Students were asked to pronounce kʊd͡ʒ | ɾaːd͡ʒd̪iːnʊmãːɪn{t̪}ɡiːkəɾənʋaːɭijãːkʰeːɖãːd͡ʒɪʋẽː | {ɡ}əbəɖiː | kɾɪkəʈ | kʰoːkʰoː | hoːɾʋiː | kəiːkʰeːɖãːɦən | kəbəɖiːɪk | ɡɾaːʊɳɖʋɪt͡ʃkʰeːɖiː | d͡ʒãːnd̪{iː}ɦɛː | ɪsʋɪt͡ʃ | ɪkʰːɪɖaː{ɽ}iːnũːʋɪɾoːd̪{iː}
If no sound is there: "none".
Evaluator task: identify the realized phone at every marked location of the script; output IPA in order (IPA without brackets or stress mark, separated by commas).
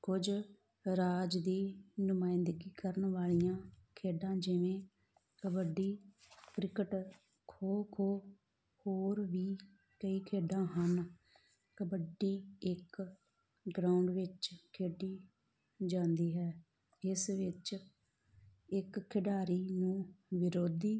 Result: d̪, k, iː, ɾ, iː